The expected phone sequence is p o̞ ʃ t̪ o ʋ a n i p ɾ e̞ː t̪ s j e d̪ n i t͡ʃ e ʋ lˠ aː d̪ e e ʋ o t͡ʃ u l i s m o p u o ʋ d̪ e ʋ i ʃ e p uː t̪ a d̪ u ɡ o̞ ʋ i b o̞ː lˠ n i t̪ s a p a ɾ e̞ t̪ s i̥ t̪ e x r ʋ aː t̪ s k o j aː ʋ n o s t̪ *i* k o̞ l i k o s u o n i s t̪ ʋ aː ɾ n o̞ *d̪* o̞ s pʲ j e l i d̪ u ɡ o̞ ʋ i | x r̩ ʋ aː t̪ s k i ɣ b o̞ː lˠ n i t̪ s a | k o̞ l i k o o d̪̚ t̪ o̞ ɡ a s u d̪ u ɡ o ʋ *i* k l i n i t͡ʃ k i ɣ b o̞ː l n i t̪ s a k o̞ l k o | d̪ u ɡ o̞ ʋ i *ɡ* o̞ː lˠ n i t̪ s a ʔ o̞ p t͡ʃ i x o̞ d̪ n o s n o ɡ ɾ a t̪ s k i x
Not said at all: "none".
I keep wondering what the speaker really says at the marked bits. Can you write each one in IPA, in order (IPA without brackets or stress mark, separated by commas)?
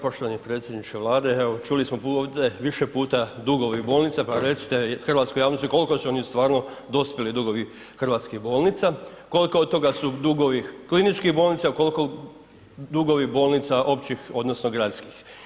i, d̪, i, b